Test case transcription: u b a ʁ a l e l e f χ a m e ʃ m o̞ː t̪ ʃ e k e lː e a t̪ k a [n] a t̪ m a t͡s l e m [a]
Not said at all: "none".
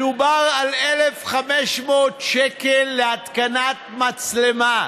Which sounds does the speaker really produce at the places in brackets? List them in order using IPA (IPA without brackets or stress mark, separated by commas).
n, a